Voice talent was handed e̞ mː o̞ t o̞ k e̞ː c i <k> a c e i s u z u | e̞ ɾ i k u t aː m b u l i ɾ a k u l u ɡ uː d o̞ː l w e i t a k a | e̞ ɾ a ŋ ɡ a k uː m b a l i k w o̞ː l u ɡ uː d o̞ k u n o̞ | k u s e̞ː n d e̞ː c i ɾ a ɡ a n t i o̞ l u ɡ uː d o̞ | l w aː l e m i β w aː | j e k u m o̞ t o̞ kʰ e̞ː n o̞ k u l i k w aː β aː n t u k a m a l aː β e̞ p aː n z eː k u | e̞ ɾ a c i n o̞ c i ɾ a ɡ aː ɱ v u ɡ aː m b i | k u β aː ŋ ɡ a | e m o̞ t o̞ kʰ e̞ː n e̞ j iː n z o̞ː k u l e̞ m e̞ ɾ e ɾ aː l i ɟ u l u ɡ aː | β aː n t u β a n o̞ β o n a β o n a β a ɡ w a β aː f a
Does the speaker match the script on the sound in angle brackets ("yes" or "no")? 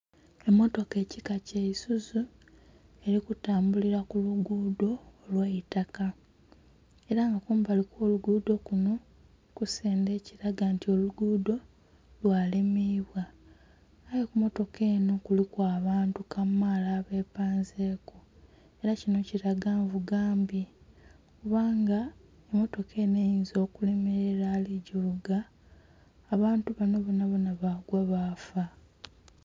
yes